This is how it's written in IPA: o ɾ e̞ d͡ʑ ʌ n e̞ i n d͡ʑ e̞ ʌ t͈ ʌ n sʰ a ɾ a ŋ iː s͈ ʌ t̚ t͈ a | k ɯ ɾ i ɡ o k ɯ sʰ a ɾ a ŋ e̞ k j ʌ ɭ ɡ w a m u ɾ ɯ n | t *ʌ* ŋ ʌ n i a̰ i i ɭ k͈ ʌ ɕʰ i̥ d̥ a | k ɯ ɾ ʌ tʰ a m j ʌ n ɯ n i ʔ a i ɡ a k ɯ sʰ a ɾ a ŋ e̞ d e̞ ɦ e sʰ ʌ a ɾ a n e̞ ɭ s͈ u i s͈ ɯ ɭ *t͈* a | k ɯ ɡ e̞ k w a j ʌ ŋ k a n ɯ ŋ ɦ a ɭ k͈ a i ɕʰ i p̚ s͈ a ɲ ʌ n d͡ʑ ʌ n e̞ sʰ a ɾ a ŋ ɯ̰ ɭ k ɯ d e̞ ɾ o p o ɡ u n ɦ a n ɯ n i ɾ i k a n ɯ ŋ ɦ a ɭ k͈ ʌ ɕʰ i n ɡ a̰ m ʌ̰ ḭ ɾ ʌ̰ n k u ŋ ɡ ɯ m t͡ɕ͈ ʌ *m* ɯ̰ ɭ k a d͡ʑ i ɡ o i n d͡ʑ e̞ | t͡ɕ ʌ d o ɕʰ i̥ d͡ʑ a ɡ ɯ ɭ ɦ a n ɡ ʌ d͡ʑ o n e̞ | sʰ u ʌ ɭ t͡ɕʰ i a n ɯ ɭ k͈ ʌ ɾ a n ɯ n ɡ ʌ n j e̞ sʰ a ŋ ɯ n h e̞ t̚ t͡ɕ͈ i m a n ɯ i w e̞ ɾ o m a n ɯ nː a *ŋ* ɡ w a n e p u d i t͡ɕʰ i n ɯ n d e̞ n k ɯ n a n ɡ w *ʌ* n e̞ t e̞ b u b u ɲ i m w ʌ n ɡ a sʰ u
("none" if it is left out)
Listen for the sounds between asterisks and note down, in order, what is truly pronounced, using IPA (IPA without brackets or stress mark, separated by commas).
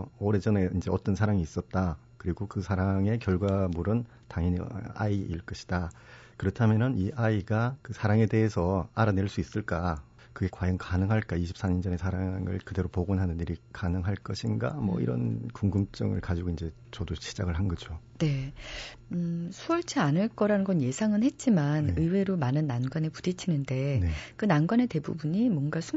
a, k͈, ŋ, n, a